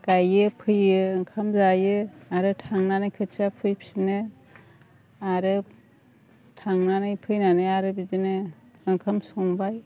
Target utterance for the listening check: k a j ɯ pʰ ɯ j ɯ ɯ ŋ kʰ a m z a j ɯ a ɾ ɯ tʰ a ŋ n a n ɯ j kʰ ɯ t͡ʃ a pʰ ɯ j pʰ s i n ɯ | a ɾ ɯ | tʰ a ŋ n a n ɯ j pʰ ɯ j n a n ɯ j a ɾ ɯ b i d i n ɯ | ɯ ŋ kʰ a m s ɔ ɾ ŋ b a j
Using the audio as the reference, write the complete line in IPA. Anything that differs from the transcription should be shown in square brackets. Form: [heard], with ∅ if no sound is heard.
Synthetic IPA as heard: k a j ɯ pʰ ɯ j ɯ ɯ ŋ kʰ a m z a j ɯ a ɾ ɯ tʰ a ŋ n a n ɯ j kʰ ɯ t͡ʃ a pʰ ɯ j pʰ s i n ɯ | a ɾ ɯ | tʰ a ŋ n a n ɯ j pʰ ɯ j n a n ɯ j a ɾ ɯ b i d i n ɯ | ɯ ŋ kʰ a m s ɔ [∅] ŋ b a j